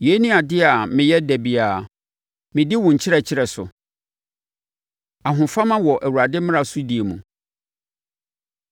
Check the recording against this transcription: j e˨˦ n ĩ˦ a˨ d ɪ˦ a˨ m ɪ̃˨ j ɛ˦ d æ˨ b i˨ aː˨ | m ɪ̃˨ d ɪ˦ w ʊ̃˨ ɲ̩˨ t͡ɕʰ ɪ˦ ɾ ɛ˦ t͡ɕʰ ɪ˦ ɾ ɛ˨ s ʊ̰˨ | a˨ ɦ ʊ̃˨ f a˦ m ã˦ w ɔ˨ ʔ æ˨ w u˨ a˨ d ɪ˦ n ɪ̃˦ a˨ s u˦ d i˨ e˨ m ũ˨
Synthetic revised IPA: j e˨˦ n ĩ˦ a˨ d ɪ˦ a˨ m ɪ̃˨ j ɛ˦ d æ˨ b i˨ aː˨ | m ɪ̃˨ d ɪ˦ w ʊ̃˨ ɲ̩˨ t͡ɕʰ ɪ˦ ɾ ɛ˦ t͡ɕʰ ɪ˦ ɾ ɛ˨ s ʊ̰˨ | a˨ ɦ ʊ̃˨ f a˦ m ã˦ w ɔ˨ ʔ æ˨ w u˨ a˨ d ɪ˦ m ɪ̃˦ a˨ s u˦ d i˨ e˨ m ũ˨